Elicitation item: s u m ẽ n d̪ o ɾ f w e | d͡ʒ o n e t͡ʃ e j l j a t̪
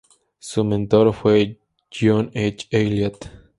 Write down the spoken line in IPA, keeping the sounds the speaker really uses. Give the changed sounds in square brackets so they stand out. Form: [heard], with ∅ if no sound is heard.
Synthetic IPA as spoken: s u m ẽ n [t̪] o ɾ f w e | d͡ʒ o n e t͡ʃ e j l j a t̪